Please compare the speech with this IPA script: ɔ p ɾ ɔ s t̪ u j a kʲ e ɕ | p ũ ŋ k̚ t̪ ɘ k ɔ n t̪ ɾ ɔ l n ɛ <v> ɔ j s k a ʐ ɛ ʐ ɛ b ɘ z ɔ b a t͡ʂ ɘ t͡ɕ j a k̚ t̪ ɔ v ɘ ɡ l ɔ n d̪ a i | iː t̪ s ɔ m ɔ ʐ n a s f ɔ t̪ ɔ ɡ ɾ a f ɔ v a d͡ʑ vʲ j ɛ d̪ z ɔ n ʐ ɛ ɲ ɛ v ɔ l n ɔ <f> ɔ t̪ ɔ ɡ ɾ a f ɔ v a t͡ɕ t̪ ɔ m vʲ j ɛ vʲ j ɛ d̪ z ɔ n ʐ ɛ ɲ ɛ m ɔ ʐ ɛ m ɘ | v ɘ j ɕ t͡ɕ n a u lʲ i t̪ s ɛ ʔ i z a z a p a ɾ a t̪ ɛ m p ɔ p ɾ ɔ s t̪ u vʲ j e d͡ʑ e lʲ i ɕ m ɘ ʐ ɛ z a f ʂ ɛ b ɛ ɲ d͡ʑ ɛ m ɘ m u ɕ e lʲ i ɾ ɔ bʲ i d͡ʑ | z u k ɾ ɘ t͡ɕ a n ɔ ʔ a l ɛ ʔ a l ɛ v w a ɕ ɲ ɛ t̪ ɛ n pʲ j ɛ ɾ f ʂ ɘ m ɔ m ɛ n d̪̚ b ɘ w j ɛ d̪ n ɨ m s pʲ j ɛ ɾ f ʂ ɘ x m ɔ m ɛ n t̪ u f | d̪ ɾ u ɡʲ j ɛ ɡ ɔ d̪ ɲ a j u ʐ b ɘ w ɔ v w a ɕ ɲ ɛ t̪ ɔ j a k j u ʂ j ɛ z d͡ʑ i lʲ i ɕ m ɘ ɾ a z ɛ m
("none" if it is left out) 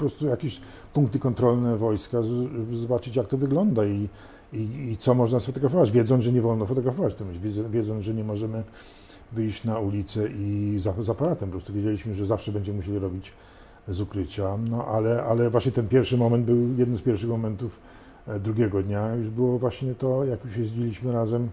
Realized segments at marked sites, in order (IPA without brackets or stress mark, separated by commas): v, f